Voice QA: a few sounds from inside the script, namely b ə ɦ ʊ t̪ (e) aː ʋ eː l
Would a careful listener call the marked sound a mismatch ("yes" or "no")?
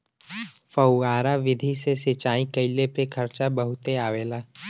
no